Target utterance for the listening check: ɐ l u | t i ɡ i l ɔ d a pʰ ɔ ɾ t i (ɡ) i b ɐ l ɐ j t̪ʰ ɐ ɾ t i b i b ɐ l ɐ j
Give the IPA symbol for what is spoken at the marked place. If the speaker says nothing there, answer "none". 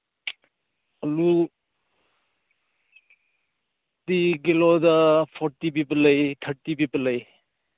b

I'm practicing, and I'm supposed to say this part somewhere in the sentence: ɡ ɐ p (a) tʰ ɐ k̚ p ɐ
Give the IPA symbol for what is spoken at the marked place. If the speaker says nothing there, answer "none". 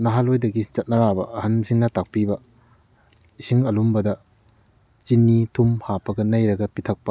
i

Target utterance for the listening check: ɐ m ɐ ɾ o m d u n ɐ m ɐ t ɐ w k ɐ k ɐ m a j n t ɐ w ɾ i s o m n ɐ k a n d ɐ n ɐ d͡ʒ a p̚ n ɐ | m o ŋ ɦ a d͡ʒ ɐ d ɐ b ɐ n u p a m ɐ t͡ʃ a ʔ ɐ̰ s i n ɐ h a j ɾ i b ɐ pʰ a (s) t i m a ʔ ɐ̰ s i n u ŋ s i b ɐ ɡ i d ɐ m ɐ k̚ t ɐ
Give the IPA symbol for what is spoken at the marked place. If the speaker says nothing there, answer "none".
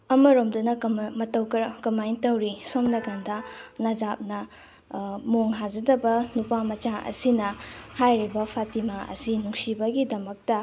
none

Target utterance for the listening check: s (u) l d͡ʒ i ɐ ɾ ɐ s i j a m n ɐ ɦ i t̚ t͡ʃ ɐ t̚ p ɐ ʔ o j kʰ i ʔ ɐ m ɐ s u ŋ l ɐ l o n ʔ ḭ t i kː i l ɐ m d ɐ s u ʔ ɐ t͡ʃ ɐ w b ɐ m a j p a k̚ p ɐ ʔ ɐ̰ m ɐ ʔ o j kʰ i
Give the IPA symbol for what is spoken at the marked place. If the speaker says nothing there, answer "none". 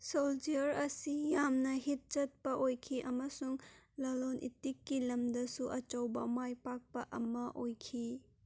o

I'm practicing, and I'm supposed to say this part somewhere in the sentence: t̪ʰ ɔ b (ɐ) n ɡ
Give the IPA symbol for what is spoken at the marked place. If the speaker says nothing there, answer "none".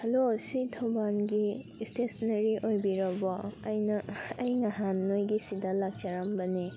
a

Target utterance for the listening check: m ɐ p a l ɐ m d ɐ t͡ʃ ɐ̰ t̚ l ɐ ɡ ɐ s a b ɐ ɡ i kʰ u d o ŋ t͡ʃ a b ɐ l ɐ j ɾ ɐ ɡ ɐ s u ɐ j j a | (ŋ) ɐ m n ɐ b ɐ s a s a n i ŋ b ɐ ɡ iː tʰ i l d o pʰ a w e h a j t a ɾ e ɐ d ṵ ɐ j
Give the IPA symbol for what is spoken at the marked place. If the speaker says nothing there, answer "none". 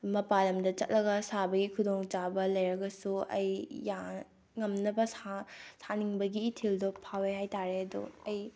ŋ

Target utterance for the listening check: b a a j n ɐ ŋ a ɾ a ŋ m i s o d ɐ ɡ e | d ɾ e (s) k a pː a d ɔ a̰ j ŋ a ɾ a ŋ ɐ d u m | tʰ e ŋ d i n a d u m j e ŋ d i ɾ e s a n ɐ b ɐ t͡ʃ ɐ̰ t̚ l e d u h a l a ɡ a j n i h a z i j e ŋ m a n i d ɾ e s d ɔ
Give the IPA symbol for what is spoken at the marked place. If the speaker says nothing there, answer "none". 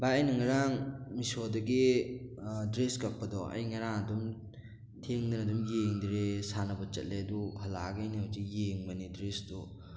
s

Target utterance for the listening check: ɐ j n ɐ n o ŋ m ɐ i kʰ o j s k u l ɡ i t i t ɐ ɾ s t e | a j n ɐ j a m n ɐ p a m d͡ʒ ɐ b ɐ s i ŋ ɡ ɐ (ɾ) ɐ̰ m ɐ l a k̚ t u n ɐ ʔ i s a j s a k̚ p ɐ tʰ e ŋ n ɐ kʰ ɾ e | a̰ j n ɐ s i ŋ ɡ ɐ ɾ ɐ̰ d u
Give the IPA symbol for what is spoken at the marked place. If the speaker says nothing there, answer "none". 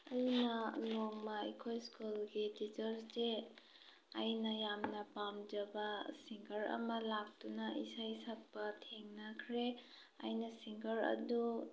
ɾ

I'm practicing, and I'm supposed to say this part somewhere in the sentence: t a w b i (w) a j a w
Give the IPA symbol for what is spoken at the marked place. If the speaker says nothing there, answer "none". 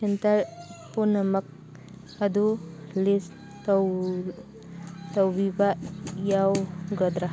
b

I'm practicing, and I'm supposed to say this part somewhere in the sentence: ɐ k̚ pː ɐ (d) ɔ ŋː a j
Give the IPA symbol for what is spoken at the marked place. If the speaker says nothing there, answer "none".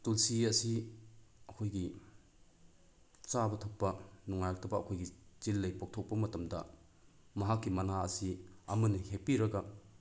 n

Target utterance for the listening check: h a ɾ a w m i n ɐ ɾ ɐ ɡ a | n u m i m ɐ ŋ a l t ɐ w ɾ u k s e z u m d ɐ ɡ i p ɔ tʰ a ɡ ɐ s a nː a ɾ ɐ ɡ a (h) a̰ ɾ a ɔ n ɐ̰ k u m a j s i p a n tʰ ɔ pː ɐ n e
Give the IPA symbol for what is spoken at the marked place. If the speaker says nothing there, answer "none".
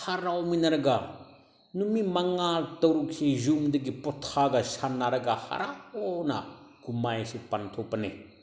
h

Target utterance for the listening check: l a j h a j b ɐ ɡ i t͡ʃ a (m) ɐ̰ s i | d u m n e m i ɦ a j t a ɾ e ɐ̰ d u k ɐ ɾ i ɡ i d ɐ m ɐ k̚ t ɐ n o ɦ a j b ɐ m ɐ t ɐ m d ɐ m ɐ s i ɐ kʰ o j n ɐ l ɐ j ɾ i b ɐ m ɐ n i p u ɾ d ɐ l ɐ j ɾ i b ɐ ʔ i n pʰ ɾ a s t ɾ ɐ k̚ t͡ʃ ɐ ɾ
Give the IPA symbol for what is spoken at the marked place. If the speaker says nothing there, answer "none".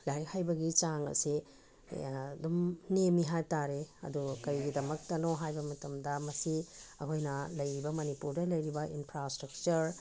ŋ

